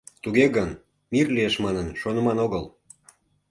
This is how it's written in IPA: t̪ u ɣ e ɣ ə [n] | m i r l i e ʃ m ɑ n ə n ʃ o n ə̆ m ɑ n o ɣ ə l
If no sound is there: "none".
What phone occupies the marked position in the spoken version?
n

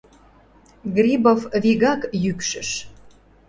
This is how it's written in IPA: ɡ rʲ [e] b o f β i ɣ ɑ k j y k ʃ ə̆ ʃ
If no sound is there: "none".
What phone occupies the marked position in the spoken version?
i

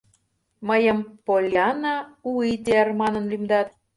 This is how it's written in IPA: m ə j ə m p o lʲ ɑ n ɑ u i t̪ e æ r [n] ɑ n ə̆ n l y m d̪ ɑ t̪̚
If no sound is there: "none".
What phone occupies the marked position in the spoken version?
m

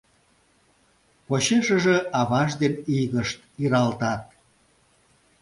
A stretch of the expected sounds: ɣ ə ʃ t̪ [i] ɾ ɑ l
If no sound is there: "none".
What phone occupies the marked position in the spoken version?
i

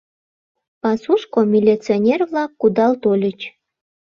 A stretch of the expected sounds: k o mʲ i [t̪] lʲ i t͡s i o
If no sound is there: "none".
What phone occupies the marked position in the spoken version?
none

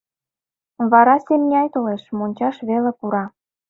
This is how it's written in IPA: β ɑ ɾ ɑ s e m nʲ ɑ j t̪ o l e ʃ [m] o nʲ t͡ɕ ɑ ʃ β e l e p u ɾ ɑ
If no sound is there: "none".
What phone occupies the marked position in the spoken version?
m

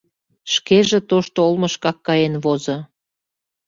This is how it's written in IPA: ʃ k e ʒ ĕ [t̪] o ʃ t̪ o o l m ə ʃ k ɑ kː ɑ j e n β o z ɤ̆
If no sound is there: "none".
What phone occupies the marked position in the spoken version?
t̪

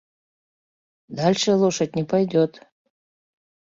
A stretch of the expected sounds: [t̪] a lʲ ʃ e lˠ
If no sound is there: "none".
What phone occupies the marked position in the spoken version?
d̪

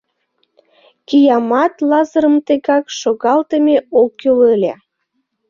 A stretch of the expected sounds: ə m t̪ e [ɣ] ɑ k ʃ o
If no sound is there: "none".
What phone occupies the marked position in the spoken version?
ɣ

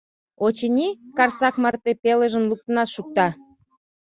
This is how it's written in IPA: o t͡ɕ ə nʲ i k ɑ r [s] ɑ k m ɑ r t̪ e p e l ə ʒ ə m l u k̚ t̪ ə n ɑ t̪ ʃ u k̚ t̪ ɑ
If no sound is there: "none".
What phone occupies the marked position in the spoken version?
s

